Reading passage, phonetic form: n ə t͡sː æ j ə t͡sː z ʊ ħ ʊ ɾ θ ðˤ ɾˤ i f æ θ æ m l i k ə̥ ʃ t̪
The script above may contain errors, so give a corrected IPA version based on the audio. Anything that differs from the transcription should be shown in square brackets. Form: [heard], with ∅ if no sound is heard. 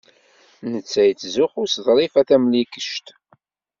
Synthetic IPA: n ə t͡sː æ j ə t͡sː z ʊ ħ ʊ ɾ [s] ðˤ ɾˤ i f æ θ æ m l i k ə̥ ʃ t̪